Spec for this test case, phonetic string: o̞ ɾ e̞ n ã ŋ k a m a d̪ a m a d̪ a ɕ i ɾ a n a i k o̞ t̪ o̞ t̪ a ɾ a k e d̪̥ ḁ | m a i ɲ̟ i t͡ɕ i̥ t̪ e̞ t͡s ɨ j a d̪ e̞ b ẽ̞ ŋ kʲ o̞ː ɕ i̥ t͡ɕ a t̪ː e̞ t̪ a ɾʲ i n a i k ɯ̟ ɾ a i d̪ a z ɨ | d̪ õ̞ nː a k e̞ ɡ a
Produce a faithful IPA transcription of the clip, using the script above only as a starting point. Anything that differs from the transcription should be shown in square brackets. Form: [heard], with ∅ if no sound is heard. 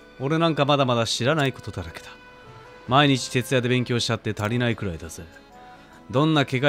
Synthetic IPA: o̞ ɾ e̞ n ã ŋ k a m a d̪ a m a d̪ a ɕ i ɾ a n a i k o̞ t̪ o̞ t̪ a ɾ a k e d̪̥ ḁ | m a i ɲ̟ i t͡ɕ i̥ t̪ e̞ t͡s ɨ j a d̪ e̞ b ẽ̞ ŋ kʲ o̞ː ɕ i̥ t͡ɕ a t̪ː e̞ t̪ a ɾʲ i n a i k ɯ̟ ɾ a i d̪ a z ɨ | d̪ õ̞ nː a k e̞ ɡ a